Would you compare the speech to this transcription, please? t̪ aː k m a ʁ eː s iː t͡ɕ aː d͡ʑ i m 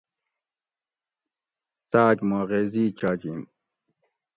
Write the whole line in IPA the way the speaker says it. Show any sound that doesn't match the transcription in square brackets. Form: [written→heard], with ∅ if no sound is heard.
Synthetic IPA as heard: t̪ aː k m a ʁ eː [s→z] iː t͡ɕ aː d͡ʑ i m

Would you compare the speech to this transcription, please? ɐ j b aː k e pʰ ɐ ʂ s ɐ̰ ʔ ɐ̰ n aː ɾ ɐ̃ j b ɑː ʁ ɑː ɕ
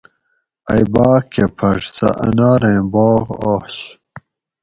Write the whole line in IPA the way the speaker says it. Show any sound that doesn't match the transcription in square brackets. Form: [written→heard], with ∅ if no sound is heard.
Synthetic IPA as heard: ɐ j b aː k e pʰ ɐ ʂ s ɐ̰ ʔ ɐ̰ n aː ɾ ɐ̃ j b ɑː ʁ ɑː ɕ

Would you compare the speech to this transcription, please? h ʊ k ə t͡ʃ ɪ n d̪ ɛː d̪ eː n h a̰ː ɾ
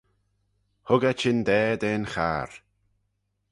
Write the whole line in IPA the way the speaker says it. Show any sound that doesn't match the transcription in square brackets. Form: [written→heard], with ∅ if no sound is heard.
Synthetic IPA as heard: h ʊ [k→ɡ] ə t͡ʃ ɪ n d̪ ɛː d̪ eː n [h→x] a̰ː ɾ

